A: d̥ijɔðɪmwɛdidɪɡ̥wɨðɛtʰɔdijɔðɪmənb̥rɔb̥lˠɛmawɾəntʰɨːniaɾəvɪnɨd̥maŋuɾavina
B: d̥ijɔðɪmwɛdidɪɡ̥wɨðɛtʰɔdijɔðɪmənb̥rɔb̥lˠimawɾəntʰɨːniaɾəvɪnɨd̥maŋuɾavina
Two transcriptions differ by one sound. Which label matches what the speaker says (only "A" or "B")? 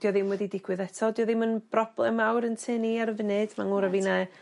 A